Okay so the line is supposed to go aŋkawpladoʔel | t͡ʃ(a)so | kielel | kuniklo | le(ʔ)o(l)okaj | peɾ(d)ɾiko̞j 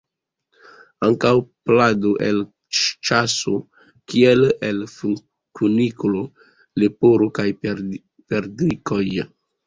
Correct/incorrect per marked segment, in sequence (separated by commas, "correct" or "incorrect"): correct, incorrect, incorrect, correct